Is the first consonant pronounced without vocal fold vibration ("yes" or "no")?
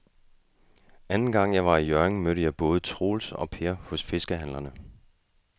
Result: no